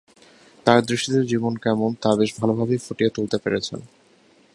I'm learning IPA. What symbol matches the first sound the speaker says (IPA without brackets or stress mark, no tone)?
t̪